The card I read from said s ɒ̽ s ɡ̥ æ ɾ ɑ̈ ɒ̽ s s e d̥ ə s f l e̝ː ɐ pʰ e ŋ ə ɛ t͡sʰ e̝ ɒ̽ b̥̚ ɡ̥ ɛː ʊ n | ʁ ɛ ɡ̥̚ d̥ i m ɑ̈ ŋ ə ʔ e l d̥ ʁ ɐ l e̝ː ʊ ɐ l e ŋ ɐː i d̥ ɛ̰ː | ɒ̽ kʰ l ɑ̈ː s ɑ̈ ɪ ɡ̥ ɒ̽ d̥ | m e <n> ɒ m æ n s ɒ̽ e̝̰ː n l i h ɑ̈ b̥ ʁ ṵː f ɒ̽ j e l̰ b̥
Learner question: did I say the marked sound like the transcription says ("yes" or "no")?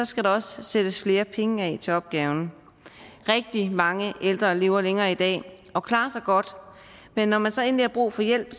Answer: no